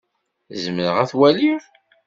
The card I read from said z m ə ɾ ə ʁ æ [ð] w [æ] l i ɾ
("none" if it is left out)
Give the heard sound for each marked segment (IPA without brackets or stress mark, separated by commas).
θ, æ